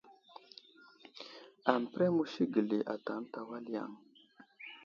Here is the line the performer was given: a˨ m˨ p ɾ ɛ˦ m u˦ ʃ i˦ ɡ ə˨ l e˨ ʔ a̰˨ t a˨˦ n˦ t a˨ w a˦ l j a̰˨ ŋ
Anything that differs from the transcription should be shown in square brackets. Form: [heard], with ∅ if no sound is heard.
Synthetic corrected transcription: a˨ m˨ p ɾ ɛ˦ m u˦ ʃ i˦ ɡ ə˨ l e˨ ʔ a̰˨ t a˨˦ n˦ t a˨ w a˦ l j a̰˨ ŋ